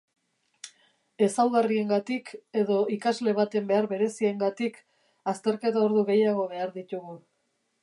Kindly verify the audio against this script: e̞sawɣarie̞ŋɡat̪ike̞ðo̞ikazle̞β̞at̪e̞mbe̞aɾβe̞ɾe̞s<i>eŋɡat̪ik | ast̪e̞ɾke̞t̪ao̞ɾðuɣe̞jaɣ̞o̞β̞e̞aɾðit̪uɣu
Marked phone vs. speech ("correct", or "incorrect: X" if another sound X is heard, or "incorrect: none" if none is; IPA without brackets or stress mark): correct